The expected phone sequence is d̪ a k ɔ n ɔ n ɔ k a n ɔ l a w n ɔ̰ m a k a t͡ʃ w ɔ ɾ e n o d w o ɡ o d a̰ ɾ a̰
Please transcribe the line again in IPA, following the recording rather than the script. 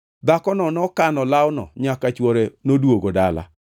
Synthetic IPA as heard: d̪ a k ɔ n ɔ n ɔ k a n ɔ l a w n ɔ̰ ɲ a k a t͡ʃ w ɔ ɾ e n o d w o ɡ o d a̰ l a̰

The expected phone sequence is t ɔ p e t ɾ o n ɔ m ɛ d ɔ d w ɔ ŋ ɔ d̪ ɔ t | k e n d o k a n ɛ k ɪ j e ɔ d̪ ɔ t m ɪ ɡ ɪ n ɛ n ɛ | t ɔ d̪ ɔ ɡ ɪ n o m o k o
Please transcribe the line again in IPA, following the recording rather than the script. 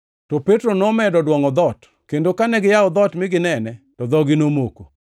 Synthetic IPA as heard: t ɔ p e t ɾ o n ɔ m ɛ d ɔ d w ɔ ŋ ɔ d̪ ɔ t | k e n d o k a n ɛ ɡ ɪ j a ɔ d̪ ɔ t m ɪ ɡ ɪ n ɛ n ɛ | t ɔ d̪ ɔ ɡ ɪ n o m o k o

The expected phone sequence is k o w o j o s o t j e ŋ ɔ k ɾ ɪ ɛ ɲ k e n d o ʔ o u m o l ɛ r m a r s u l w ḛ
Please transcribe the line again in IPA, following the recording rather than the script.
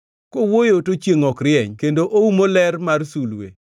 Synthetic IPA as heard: k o w o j o t o t͡ʃ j e ŋ ɔ k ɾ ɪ ɛ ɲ k e n d o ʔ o u m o l ɛ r m a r s u l w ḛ

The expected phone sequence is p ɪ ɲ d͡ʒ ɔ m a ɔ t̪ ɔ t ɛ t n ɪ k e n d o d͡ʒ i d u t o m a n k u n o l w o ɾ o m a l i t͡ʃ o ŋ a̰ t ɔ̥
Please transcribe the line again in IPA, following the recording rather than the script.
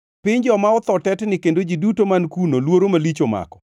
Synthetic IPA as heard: p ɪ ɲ d͡ʒ ɔ m a ɔ t̪ ɔ t ɛ t n ɪ k e n d o d͡ʒ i d u t o m a n k u n o l w o ɾ o m a l i t͡ʃ o m a̰ k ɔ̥

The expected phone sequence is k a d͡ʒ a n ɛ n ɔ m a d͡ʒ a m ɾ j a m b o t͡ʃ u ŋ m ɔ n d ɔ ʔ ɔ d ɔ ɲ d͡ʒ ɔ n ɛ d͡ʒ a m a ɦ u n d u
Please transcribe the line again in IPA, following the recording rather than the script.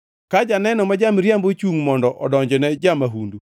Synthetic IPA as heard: k a d͡ʒ a n ɛ n ɔ m a d͡ʒ a m ɾ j a m b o t͡ʃ u ŋ m ɔ n d ɔ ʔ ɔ d ɔ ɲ d͡ʒ ɔ n ɛ d͡ʒ a m a ɦ u n d u

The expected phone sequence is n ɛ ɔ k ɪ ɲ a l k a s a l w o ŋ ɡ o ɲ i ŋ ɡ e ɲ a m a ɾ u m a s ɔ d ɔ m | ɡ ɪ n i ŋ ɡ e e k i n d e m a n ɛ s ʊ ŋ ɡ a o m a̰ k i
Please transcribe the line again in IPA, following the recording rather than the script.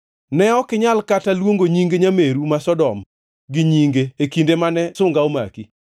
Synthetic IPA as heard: n ɛ ɔ k ɪ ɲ a l k a t a l w o ŋ ɡ o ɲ i ŋ ɡ e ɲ a m e ɾ u m a s ɔ d ɔ m | ɡ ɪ ɲ i ŋ ɡ e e k i n d e m a n ɛ s ʊ ŋ ɡ a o m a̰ k i

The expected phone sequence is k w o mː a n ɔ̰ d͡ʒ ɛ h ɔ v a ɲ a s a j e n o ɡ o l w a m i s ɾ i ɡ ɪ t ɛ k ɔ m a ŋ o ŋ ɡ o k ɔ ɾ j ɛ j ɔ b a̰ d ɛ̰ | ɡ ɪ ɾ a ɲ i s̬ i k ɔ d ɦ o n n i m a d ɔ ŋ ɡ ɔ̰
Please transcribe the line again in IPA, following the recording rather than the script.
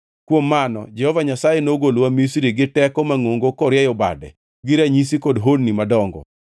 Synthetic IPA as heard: k w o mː a n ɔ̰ d͡ʒ ɛ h ɔ v a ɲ a s a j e n o ɡ o l w a m i s ɾ i ɡ ɪ t ɛ k ɔ m a ŋ o ŋ ɡ o k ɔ ɾ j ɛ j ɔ b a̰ d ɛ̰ | ɡ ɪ ɾ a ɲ i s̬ i k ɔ d ɦ o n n i m a d ɔ ŋ ɡ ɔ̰

